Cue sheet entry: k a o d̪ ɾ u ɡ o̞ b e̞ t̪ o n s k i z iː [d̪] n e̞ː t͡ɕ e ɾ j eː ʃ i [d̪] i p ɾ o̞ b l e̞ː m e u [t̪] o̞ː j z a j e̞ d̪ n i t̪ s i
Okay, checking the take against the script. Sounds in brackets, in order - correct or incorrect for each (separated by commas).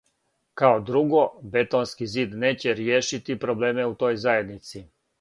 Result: correct, incorrect, correct